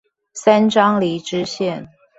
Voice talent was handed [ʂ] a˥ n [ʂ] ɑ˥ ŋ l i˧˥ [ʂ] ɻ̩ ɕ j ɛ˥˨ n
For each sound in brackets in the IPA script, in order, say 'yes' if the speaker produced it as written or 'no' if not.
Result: no, no, no

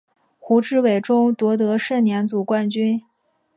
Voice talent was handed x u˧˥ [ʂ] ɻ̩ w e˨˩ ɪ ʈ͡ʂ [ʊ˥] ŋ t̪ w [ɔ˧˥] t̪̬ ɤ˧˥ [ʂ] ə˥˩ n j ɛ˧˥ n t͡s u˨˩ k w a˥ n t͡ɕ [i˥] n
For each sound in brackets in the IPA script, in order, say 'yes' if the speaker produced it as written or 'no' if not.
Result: no, yes, yes, yes, no

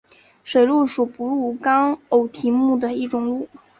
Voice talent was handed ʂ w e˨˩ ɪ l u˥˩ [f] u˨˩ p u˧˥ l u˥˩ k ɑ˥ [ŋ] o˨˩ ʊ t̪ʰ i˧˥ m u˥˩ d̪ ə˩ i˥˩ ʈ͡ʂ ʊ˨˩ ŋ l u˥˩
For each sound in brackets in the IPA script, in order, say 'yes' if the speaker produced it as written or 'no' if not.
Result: no, yes

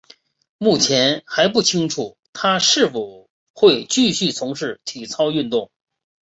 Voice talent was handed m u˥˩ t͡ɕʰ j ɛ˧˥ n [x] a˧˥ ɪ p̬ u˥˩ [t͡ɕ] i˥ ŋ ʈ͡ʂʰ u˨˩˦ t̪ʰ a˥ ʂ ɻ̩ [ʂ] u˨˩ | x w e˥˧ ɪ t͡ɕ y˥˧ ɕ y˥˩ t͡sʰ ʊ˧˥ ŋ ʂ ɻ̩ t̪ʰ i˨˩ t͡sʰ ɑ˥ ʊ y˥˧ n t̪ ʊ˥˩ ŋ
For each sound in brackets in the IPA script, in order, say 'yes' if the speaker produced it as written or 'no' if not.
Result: yes, no, no

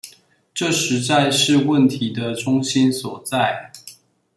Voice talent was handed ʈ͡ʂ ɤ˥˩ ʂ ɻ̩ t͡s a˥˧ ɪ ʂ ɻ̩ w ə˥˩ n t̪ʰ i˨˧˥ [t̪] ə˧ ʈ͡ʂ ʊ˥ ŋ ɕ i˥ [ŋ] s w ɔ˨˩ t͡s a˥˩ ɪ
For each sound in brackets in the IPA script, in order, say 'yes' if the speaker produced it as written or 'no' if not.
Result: no, no

